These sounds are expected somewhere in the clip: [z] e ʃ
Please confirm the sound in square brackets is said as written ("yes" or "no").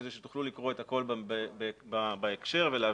yes